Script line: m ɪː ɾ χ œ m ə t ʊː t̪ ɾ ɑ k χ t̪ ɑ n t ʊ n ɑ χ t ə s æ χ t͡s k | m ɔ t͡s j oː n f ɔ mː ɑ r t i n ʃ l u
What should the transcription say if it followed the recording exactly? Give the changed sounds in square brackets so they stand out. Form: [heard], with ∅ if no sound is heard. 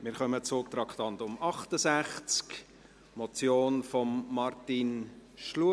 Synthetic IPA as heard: m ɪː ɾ χ œ m ə [t͡s] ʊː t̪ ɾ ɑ k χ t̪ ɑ n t ʊ [m] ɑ χ t ə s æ χ t͡s k | m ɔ t͡s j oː n f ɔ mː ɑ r t i n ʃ l u